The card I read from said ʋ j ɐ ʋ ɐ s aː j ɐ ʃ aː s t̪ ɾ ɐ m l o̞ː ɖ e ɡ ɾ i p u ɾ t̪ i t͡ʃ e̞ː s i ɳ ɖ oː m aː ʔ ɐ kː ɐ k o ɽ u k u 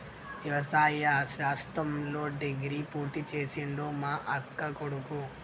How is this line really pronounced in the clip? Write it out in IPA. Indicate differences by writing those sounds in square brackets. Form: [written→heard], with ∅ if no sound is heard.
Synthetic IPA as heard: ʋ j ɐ ʋ ɐ s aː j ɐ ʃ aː s t̪ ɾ ɐ m l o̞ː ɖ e ɡ ɾ i p [u→uː] ɾ t̪ i t͡ʃ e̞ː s i ɳ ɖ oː m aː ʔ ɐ kː ɐ k o ɽ u k u